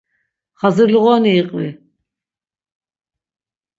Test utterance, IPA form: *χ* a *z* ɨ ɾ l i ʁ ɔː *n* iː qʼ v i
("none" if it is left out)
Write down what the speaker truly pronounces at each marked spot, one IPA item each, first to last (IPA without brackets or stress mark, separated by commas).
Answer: χ, z, n